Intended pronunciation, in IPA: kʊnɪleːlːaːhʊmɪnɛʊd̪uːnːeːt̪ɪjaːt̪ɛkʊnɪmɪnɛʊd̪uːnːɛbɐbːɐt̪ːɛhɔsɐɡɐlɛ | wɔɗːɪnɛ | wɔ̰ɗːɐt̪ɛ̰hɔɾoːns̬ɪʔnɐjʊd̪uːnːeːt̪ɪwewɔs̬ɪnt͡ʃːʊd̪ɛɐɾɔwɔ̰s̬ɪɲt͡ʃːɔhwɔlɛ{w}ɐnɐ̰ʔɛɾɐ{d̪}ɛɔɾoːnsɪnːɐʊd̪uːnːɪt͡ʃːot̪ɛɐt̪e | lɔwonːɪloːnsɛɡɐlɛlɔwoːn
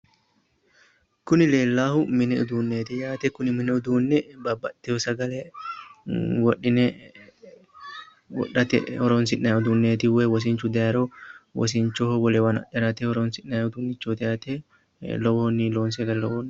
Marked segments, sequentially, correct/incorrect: correct, incorrect: t̪

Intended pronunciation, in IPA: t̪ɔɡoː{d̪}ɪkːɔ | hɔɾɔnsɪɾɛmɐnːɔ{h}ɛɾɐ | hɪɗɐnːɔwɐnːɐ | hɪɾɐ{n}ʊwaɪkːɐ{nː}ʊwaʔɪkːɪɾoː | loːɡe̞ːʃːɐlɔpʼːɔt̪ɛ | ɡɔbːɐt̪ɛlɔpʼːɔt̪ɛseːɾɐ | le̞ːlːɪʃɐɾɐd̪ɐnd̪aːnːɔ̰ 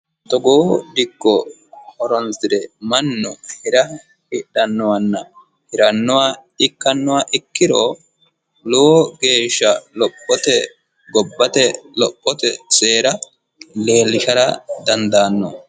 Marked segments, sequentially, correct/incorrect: correct, correct, incorrect: nː, correct

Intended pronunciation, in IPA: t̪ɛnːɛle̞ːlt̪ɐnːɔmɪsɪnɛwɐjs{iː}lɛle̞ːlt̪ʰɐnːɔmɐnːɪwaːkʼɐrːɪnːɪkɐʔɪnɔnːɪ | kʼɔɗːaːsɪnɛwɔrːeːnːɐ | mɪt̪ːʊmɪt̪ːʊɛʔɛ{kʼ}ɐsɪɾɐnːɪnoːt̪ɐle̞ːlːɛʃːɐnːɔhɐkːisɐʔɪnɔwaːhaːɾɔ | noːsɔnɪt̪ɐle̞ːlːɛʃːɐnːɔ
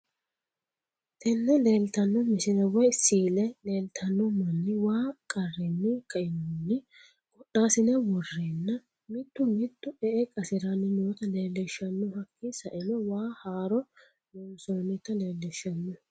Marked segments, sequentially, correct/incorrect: correct, correct

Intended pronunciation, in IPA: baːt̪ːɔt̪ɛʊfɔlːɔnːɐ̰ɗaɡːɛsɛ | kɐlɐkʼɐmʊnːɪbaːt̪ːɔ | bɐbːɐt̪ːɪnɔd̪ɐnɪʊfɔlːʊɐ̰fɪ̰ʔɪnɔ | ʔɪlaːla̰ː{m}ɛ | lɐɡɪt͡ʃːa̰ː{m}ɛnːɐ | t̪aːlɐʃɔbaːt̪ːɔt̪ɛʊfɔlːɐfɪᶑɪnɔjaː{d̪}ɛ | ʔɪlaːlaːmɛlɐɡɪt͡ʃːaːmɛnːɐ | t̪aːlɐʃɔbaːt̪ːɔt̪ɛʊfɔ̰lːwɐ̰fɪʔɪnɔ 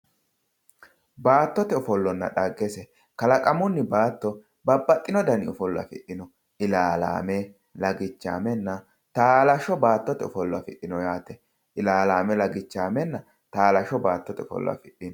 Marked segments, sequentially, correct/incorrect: correct, correct, incorrect: t̪

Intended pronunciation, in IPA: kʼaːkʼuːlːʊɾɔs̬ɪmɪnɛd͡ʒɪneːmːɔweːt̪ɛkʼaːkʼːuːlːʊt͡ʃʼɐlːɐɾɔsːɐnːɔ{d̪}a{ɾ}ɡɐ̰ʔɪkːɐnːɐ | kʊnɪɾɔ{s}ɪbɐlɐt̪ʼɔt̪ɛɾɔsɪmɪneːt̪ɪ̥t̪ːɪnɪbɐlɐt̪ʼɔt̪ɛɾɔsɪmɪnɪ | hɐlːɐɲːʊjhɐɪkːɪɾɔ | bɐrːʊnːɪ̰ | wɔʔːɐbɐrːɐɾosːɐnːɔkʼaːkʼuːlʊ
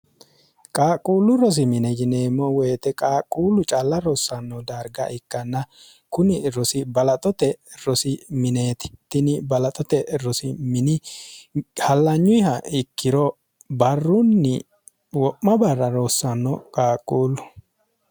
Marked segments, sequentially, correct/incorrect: correct, correct, correct

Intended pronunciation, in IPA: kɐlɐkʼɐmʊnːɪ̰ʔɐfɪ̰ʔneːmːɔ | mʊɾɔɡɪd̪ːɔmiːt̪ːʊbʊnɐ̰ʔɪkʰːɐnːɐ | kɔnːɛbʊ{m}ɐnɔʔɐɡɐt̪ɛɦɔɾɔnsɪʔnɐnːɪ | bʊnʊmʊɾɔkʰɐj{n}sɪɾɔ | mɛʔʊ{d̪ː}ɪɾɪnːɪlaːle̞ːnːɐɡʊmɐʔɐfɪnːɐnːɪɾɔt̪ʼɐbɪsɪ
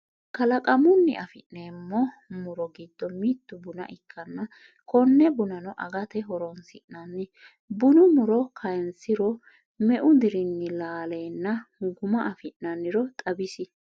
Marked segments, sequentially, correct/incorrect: incorrect: n, correct, incorrect: d̪

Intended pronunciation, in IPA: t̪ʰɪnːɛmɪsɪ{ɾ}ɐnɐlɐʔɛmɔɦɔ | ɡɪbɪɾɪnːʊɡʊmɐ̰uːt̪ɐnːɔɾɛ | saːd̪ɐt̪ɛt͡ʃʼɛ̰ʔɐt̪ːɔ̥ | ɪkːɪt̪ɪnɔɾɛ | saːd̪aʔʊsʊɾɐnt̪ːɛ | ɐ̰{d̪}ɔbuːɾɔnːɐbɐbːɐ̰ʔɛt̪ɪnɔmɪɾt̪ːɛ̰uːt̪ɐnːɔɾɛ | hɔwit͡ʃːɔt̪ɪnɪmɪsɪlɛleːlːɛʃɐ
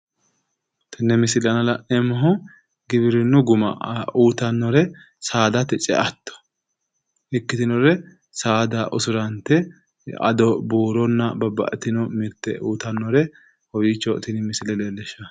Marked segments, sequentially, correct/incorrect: incorrect: l, correct

